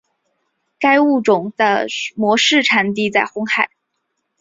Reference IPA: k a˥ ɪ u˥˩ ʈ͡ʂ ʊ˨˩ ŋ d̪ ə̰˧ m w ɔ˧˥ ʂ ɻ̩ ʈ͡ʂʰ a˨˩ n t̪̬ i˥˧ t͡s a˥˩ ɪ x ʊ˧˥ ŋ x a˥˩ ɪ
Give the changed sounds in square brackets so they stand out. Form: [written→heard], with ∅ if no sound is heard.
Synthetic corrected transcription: k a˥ ɪ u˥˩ ʈ͡ʂ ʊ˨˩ ŋ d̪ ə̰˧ m w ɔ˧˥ ʂ ɻ̩ ʈ͡ʂʰ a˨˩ n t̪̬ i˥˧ t͡s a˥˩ ɪ x [ʊ˧˥→ʊ˥] ŋ x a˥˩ ɪ